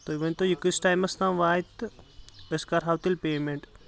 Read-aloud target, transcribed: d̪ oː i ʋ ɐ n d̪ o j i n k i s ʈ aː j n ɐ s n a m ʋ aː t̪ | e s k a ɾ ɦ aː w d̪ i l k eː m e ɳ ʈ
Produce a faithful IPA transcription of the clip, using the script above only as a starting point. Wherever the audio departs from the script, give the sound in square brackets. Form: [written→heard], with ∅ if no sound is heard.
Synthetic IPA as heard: [d̪→t̪] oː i ʋ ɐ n [d̪→t̪] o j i [n→∅] k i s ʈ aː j [n→m] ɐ s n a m ʋ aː t̪ | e s k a ɾ ɦ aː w [d̪→t̪] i l [k→p] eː m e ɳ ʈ